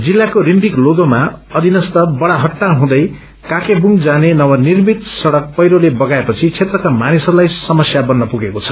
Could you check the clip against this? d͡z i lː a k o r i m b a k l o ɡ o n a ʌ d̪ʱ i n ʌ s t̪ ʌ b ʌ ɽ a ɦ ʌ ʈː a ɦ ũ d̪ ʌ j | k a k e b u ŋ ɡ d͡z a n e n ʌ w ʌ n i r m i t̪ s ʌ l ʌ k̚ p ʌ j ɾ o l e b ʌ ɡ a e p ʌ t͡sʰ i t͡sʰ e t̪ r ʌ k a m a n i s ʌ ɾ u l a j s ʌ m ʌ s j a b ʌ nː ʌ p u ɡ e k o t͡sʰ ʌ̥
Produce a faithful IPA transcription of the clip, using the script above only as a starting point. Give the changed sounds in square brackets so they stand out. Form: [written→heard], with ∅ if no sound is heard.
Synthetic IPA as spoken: d͡z i lː a k o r i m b [a→i] k l o ɡ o [n→m] a ʌ d̪ʱ i n ʌ s t̪ ʌ b ʌ ɽ a ɦ ʌ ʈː a ɦ ũ d̪ ʌ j | k a k e b u ŋ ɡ d͡z a n e n ʌ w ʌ n i r m i t̪ s ʌ [l→ɽ] ʌ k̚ p ʌ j ɾ o l e b ʌ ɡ a e p ʌ t͡sʰ i t͡sʰ e t̪ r ʌ k a m a n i s ʌ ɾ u l a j s ʌ m ʌ s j a b ʌ nː ʌ p u ɡ e k o t͡sʰ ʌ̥